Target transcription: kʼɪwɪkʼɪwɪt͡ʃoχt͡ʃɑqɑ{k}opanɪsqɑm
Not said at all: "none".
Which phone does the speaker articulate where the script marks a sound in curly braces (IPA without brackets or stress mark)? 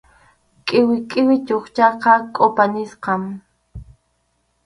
kʼ